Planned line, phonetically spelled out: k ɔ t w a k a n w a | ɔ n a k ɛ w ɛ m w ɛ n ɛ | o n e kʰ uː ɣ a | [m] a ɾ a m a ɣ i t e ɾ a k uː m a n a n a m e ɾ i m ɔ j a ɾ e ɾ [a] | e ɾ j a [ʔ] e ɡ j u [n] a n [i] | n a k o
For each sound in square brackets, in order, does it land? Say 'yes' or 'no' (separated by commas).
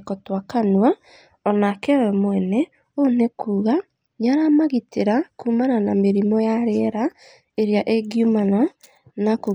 no, yes, yes, no, no